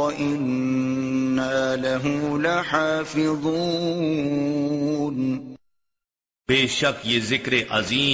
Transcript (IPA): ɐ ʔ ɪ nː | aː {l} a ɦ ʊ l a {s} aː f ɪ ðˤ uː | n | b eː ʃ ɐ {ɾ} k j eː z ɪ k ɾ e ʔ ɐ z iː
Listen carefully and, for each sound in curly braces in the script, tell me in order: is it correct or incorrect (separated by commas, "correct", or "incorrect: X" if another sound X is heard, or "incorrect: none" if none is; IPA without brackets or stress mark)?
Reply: correct, incorrect: ħ, incorrect: none